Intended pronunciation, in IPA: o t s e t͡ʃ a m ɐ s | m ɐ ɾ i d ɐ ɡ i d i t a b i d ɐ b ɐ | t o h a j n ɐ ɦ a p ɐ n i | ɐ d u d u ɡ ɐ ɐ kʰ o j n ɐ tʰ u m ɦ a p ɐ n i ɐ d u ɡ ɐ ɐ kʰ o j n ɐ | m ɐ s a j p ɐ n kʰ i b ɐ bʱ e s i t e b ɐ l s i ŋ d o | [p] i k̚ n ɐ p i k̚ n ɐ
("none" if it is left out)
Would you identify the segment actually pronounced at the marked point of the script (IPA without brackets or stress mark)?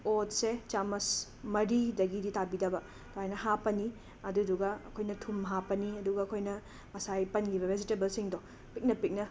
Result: p